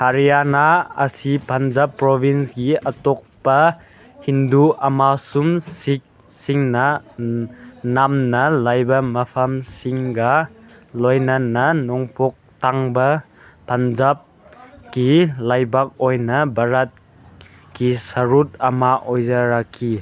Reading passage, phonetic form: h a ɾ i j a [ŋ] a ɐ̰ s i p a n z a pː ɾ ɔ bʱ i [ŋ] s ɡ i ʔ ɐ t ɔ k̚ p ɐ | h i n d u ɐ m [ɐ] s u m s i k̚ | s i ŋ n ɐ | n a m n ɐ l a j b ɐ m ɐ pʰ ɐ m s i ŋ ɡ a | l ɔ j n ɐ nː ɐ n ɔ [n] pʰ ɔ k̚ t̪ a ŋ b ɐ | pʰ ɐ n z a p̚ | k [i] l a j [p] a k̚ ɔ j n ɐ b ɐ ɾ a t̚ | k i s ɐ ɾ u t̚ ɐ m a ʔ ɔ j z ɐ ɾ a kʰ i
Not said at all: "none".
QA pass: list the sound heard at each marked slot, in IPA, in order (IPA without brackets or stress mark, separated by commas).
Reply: n, n, a, ŋ, i, b